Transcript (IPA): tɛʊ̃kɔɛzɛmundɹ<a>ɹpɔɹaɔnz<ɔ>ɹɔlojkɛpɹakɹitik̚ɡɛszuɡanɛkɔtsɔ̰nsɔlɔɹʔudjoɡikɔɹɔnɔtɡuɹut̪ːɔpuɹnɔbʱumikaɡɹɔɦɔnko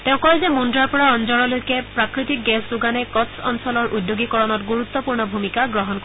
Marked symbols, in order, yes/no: yes, yes

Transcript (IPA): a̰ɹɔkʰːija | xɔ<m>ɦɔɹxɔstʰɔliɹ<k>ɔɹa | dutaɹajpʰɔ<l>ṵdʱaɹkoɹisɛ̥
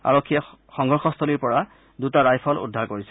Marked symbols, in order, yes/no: no, no, yes

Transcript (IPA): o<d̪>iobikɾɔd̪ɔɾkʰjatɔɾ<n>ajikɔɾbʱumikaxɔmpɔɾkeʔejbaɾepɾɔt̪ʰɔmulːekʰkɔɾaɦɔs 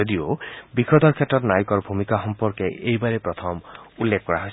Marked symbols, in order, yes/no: yes, yes

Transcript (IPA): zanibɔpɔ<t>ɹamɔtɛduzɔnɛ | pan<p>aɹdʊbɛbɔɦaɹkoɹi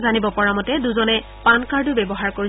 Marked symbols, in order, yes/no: no, no

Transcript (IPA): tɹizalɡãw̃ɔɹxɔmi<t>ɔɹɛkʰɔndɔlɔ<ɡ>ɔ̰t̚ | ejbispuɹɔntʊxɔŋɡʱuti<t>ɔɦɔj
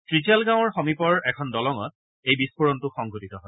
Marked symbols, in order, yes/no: no, no, yes

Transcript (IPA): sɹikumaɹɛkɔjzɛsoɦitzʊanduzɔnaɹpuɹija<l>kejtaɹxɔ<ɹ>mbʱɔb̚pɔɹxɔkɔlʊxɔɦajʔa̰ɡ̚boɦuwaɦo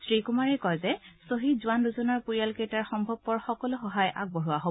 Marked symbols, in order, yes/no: yes, no

